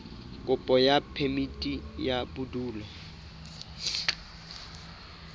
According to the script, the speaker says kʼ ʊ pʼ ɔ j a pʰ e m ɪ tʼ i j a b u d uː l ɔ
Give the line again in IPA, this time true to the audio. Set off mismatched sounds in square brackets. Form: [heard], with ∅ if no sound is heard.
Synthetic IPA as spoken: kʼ ʊ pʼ ɔ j a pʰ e m [i] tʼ i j a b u d uː l ɔ